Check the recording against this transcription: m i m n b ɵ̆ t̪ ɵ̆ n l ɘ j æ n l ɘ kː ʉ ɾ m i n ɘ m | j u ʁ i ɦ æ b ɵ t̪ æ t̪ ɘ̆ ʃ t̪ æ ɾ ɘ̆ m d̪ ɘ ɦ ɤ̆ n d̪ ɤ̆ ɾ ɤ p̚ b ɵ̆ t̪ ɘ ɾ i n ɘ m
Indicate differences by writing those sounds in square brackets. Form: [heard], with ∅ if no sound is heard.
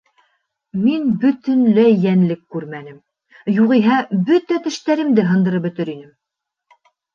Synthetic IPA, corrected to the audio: m i [∅] n b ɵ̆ t̪ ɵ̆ n l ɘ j æ n l ɘ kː ʉ ɾ m [æ] n ɘ m | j u ʁ i ɦ æ b ɵ t̪ æ t̪ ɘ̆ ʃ t̪ æ ɾ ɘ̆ m d̪ ɘ ɦ ɤ̆ n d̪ ɤ̆ ɾ ɤ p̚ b ɵ̆ t̪ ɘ ɾ i n ɘ m